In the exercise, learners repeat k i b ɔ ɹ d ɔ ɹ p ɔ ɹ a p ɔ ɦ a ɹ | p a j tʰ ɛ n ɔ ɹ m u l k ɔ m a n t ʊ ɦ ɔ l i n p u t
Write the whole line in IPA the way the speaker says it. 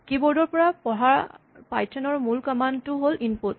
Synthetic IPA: k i b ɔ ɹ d ɔ ɹ p ɔ ɹ a p ɔ ɦ a ɹ | p a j tʰ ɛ n ɔ ɹ m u l k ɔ m a n t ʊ ɦ o l i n p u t